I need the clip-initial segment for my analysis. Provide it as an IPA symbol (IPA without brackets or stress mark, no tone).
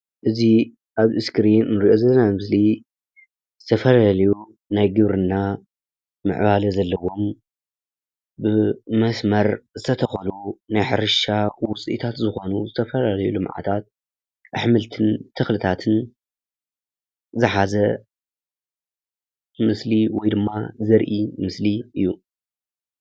ʔ